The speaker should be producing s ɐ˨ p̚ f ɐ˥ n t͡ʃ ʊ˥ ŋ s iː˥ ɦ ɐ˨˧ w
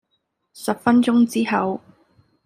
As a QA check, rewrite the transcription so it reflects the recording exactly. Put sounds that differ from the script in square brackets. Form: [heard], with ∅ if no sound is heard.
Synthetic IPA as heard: s ɐ˨ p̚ f ɐ˥ n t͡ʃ ʊ˥ ŋ [t͡s] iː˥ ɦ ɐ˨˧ w